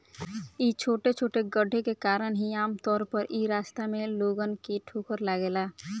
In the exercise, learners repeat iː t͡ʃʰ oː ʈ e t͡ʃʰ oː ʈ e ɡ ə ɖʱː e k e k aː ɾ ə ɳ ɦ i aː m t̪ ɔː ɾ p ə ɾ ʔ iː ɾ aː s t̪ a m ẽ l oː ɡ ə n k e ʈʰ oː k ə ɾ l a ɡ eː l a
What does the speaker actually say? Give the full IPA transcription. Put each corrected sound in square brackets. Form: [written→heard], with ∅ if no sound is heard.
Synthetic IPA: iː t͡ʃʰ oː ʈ e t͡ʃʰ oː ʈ e ɡ ə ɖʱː e k e k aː ɾ ə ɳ ɦ i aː m t̪ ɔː ɾ p ə ɾ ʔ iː ɾ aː s t̪ a m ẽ l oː ɡ ə n k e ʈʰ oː k ə ɾ l a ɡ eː l a